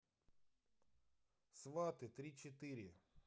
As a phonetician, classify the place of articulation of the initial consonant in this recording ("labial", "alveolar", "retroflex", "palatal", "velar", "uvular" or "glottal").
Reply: alveolar